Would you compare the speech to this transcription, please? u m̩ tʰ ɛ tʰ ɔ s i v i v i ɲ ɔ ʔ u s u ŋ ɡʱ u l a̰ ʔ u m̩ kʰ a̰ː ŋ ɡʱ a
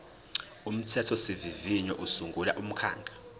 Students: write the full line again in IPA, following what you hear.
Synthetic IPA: u m̩ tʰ ɛ tʰ ɔ s i v i v i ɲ ɔ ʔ u s u ŋ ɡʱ u l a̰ ʔ u m̩ kʰ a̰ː ŋ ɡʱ a